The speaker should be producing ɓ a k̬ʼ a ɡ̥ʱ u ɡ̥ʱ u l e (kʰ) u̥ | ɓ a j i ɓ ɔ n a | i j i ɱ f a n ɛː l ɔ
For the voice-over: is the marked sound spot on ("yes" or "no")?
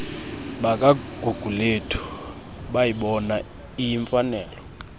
no